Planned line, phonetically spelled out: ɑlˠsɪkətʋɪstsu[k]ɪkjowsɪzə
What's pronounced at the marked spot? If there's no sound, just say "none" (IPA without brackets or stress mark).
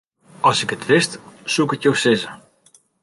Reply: k